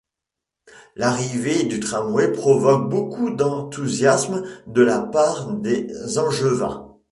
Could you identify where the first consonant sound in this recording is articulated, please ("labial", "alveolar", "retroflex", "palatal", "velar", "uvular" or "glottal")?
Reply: alveolar